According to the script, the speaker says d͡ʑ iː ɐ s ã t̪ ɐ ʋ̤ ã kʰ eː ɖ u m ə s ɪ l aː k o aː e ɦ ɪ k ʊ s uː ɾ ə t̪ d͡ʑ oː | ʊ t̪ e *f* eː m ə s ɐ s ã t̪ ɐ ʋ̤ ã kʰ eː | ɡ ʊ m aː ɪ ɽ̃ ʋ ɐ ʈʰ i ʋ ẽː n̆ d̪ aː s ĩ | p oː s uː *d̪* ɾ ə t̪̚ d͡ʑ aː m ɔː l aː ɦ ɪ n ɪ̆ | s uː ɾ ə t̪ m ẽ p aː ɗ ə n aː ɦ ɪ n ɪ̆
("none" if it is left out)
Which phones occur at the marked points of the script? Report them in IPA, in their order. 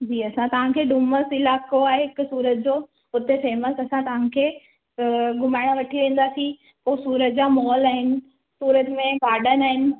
f, none

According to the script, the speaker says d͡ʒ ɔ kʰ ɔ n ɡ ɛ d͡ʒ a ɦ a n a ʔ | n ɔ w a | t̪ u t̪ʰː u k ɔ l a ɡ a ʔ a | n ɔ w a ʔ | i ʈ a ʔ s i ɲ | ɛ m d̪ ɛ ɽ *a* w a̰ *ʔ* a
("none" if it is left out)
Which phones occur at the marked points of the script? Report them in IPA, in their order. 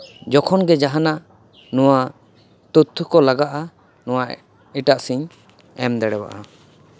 ɛ, ʔ

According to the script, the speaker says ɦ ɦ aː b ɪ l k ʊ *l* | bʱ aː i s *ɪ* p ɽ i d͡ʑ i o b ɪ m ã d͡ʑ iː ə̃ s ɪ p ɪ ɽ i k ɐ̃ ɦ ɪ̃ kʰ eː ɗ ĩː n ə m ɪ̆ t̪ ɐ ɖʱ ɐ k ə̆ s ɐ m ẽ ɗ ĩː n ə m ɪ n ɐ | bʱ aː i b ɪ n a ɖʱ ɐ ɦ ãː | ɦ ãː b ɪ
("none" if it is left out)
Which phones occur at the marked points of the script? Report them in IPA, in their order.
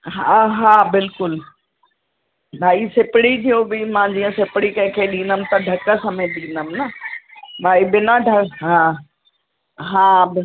l, ɪ

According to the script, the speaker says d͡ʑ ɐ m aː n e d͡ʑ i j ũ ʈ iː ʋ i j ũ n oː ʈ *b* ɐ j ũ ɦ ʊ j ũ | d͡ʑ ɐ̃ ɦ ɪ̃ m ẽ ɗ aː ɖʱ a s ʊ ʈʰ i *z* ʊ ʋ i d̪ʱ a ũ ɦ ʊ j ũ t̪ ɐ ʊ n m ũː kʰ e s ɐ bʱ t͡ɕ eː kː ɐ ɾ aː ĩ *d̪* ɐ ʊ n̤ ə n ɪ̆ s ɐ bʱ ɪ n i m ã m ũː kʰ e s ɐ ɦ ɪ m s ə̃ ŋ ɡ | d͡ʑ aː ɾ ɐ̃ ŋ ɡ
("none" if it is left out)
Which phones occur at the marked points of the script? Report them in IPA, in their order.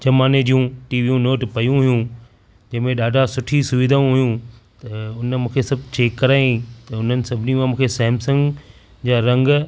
p, s, t̪

